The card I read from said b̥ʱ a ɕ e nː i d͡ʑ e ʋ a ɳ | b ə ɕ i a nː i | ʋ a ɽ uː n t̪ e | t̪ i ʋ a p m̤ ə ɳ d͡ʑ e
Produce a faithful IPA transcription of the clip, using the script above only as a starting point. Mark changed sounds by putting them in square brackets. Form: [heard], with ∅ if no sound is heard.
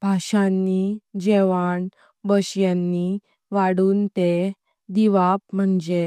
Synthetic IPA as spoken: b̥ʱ a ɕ [a] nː i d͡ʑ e ʋ a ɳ | b ə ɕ [j] a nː i | ʋ a ɽ uː n t̪ e | [d̪] i ʋ a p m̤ ə ɳ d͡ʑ e